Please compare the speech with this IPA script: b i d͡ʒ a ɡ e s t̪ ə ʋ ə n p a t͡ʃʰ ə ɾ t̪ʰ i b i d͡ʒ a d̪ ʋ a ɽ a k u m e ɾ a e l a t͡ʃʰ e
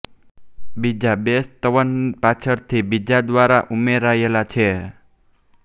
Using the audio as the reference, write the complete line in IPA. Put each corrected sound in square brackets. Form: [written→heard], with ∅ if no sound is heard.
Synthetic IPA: b i d͡ʒ a [ɡ→b] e s t̪ ə ʋ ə n p a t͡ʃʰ ə ɾ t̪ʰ i b i d͡ʒ a d̪ ʋ a [ɽ→ɾ] a [k→ʔ] u m e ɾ a e l a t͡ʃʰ e